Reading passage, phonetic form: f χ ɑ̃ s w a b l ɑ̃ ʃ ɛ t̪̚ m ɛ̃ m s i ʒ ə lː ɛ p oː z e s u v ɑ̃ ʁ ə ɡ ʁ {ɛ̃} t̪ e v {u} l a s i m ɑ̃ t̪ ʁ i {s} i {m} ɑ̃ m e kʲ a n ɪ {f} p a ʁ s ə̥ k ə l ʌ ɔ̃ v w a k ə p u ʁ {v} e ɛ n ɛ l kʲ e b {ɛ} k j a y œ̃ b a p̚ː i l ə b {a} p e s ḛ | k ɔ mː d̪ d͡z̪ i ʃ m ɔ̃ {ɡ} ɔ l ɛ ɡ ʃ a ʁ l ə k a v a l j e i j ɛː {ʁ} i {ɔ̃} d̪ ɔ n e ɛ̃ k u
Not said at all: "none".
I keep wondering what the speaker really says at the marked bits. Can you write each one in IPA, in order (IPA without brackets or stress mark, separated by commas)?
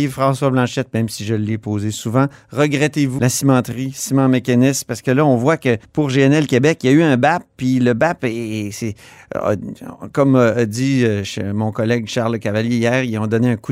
ɛ, u, s, m, s, ʒ, ɛ, a, k, ʁ, ɔ̃